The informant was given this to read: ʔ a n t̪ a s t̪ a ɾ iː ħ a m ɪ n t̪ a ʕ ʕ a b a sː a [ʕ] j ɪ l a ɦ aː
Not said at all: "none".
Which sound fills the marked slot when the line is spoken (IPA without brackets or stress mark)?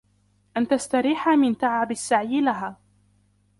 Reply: ʕ